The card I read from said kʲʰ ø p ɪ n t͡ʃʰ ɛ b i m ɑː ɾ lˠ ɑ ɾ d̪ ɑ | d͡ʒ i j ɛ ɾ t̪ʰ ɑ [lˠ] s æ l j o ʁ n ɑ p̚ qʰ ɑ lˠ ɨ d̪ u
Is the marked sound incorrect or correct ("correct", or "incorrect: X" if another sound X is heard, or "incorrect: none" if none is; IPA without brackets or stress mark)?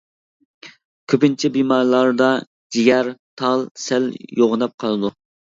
correct